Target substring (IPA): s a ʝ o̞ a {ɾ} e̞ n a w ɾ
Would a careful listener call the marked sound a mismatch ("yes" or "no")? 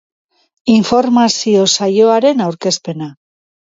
no